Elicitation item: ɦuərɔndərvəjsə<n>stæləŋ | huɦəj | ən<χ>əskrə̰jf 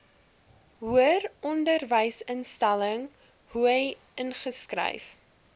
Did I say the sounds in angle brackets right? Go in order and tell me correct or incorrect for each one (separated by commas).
correct, correct